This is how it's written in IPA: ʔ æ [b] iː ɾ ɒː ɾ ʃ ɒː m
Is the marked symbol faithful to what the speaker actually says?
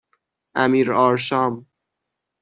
no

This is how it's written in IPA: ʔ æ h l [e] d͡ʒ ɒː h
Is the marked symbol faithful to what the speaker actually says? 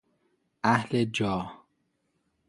yes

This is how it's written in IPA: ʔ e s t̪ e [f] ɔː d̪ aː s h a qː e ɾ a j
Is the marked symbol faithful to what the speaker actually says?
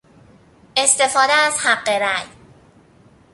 yes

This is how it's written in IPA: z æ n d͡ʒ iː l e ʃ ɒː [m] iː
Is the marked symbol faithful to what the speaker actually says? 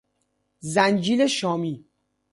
yes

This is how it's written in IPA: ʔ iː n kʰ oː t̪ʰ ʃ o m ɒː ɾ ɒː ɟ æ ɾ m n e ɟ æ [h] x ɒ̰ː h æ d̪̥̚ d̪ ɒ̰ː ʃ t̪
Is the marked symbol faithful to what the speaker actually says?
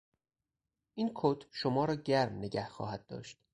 yes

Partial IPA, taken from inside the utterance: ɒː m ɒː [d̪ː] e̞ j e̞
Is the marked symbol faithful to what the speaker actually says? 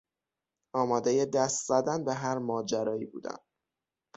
no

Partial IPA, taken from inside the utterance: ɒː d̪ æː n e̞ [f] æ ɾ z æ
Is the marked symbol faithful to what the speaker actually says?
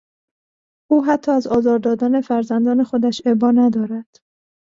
yes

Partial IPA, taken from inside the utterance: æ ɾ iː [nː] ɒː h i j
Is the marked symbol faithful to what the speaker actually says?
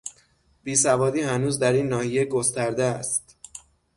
yes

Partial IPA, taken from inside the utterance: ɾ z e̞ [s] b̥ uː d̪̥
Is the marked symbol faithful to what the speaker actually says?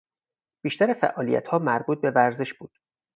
no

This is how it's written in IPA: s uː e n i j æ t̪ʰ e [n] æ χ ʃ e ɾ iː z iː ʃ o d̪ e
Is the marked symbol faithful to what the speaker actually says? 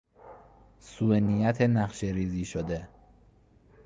yes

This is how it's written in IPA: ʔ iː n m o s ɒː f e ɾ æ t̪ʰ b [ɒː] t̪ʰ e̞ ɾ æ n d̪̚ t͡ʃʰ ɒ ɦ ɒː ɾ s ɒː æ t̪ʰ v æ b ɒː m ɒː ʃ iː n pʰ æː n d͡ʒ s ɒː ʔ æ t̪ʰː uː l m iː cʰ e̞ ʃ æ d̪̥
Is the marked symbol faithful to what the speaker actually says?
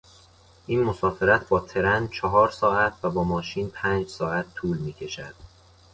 yes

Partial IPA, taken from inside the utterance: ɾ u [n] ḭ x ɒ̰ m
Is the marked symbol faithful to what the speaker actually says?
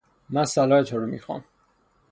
no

